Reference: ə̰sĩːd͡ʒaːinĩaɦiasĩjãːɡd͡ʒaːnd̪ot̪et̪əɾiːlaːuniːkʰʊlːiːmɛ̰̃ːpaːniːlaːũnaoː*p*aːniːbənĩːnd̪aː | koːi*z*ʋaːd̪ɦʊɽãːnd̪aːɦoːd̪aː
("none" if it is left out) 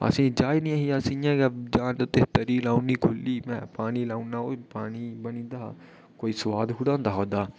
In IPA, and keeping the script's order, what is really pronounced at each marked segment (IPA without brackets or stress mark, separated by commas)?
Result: p, s